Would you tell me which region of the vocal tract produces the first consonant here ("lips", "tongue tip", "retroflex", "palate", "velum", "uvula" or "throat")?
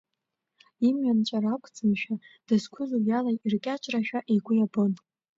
lips